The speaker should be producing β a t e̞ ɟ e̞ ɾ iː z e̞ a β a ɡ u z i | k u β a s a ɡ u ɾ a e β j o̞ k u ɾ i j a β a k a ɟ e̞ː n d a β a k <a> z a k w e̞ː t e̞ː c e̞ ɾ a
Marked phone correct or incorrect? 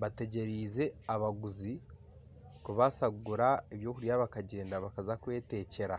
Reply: correct